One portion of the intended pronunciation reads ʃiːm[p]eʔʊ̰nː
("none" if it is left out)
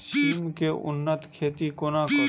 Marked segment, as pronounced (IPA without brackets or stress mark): k